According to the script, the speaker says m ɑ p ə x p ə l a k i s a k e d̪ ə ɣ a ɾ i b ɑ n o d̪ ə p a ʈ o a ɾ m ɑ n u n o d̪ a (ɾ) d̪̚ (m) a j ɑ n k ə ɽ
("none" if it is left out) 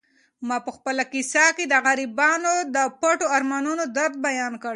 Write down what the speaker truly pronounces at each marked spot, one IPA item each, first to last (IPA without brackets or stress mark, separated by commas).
ɾ, b